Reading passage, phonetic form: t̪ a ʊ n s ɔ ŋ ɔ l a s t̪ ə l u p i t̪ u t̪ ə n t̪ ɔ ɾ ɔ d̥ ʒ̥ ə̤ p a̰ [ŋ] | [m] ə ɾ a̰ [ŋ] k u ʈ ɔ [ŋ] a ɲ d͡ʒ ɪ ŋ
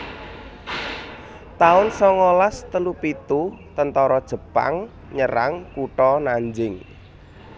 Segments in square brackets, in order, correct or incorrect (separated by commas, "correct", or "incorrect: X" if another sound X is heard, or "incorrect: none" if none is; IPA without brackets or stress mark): correct, incorrect: ɲ, correct, incorrect: n